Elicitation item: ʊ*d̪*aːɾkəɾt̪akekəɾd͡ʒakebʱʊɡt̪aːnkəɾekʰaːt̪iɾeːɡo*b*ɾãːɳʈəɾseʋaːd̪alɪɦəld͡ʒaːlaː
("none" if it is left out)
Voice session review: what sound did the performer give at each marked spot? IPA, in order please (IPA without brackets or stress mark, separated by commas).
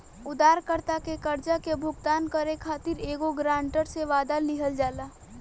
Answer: d̪, ɡ